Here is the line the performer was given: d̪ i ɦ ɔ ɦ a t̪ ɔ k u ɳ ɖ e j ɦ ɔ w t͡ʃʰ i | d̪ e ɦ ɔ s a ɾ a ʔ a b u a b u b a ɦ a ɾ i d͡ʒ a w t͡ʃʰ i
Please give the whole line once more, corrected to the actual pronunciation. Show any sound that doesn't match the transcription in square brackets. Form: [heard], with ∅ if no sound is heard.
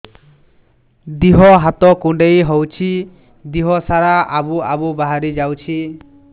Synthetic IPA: d̪ i ɦ ɔ ɦ a t̪ ɔ k u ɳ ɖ e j ɦ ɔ w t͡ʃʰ i | d̪ [i] ɦ ɔ s a ɾ a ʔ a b u a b u b a ɦ a ɾ i d͡ʒ a w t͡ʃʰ i